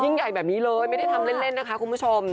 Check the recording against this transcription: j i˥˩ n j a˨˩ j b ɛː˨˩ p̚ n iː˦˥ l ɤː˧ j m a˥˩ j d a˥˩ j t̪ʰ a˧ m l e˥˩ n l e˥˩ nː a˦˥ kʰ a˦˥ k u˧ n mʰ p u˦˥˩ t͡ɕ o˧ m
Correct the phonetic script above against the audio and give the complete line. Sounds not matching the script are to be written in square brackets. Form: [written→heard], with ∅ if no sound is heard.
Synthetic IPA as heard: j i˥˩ [n→ŋ] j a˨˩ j b ɛː˨˩ p̚ n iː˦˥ l ɤː˧ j m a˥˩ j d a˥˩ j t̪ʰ a˧ m l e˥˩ n l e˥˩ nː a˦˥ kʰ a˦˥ k u˧ n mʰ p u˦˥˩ [t͡ɕ→t͡ɕʰ] o˧ m